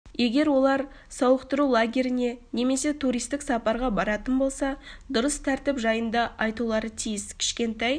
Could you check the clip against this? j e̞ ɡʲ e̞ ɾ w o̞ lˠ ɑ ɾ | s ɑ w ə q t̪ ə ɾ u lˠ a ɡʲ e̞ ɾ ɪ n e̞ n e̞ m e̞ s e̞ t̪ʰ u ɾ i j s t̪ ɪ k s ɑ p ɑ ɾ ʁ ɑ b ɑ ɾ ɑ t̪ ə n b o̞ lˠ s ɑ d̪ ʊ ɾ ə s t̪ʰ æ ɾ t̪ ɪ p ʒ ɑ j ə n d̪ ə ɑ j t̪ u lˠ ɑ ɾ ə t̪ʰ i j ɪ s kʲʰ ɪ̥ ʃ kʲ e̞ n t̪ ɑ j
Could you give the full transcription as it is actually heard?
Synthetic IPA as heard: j e̞ ɡʲ e̞ ɾ w o̞ lˠ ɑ ɾ | s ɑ w ə q t̪ ə ɾ u lˠ a ɡʲ e̞ ɾ ɪ n e̞ n e̞ m e̞ s e̞ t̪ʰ u ɾ i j s t̪ ɪ k s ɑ p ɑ ɾ ʁ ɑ b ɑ ɾ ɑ t̪ ə n b o̞ lˠ s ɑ d̪ ʊ ɾ ə s t̪ʰ æ ɾ t̪ ɪ p ʒ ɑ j ə n d̪ ɑ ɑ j t̪ u lˠ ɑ ɾ ə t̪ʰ i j ɪ s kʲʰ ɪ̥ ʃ kʲ e̞ n t̪ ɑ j

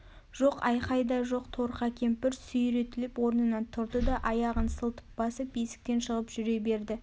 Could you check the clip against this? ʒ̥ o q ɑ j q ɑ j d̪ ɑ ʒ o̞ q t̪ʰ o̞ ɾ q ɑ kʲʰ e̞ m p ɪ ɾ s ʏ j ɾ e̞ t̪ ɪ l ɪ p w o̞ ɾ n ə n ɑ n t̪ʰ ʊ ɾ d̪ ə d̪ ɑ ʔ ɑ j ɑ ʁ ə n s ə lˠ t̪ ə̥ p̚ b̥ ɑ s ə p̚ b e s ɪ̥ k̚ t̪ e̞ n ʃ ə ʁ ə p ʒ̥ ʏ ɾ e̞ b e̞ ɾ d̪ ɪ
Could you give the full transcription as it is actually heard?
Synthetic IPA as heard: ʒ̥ o q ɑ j q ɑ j d̪ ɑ ʒ o̞ q t̪ʰ o̞ ɾ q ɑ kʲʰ e̞ m p ɪ ɾ s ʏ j ɾ e̞ t̪ ɪ l ɪ p w o̞ ɾ n ə n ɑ n t̪ʰ ʊ ɾ d̪ ə d̪ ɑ ʔ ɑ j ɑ ʁ ə n s ə lˠ t̪ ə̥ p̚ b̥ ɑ s ə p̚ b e s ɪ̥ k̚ t̪ e̞ n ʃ ə ʁ ə p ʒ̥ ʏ ɾ e̞ b e̞ ɾ d̪ ɪ

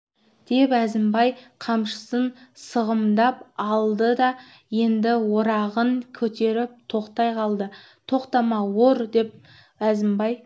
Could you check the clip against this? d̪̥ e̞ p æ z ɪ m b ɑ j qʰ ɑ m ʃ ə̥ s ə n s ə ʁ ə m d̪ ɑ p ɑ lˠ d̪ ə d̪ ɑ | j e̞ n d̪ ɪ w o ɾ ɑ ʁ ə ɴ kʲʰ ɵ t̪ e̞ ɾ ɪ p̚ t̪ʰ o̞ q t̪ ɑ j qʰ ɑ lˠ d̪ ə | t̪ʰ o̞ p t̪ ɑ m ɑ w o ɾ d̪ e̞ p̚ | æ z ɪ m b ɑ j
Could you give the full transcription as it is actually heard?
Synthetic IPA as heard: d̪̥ e̞ p æ z ɪ m b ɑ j qʰ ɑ m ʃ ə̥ s ə n s ə ʁ ə m d̪ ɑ p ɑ lˠ d̪ ə d̪ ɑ | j e̞ n d̪ ɪ w o ɾ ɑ ʁ ə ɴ kʲʰ ɵ t̪ e̞ ɾ ɪ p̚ t̪ʰ o̞ q t̪ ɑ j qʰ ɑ lˠ d̪ ə | t̪ʰ o̞ q t̪ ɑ m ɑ w o ɾ d̪ e̞ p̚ | æ z ɪ m b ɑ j

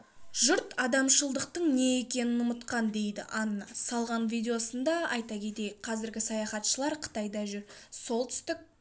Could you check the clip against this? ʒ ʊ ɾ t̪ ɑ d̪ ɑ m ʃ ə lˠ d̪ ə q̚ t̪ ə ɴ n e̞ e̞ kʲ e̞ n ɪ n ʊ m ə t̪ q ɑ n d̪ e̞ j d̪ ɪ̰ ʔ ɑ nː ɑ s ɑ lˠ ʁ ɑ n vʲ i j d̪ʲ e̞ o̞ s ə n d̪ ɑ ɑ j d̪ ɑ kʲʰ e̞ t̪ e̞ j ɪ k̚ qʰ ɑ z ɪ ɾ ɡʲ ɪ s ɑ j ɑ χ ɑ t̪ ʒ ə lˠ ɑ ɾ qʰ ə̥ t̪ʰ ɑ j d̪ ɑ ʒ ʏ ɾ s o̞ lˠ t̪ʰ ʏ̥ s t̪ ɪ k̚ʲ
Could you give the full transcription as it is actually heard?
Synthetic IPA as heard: ʒ ʊ ɾ t̪ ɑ d̪ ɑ m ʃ ə lˠ d̪ ə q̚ t̪ ə ɴ n e̞ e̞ kʲ e̞ n ɪ n ʊ m ə t̪ q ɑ n d̪ e̞ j d̪ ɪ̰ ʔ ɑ nː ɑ s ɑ lˠ ʁ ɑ n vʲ i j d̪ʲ e̞ o̞ s ə n d̪ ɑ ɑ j t̪ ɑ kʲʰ e̞ t̪ e̞ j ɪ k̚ qʰ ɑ z ɪ ɾ ɡʲ ɪ s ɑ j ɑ χ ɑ t̪ ʃ ə lˠ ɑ ɾ qʰ ə̥ t̪ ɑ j d̪ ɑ ʒ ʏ ɾ s o̞ lˠ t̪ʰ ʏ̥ s t̪ ɪ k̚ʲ

